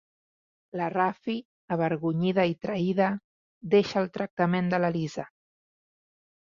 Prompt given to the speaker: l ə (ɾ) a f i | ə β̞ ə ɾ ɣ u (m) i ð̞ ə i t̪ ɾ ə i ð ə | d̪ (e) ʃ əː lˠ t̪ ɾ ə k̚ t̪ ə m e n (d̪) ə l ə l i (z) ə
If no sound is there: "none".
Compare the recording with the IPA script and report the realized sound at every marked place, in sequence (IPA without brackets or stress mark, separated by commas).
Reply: r, ɲ, e, d̪, z